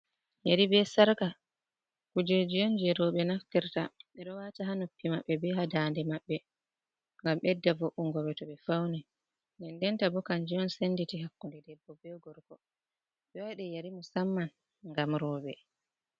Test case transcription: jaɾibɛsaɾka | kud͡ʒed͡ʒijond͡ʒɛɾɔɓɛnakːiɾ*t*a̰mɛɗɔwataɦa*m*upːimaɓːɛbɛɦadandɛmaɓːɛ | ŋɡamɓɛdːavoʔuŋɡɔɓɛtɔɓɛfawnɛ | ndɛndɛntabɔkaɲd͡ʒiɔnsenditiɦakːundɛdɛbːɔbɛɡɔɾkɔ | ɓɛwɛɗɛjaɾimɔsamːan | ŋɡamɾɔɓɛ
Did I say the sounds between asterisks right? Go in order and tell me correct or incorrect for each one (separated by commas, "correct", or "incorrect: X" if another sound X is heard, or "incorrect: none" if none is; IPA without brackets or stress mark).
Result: correct, incorrect: n